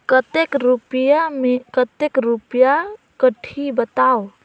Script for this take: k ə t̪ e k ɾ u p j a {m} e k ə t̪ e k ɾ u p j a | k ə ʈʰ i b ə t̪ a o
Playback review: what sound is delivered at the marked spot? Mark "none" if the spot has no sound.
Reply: m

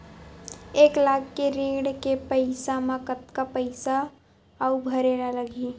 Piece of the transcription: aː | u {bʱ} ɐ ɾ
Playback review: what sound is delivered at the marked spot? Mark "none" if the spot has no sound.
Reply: bʱ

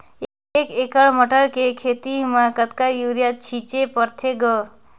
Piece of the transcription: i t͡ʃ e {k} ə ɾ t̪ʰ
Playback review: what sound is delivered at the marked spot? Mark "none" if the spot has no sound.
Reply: p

